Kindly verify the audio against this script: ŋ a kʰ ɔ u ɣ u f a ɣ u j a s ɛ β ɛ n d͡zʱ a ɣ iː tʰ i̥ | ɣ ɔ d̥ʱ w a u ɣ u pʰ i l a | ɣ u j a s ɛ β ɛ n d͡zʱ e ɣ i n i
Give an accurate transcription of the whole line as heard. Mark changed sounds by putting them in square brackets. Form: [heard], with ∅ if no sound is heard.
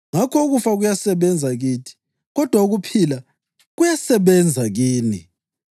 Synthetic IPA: ŋ a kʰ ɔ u ɣ u f a ɣ u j a s ɛ β ɛ n d͡zʱ a ɣ iː tʰ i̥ | ɣ ɔ d̥ʱ w a u ɣ u pʰ i l a | ɣ u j a s ɛ β ɛ n d͡zʱ [a] ɣ [iː] n i